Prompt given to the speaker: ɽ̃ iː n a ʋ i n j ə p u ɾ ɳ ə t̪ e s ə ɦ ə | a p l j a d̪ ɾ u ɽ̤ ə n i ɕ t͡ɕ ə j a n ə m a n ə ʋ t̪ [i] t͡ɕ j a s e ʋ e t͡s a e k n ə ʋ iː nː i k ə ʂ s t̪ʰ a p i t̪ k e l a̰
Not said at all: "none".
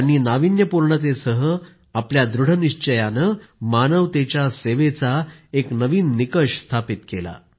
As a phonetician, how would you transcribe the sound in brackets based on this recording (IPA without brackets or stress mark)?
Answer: e